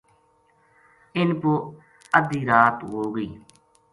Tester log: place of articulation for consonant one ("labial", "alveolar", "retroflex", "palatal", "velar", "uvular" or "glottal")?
alveolar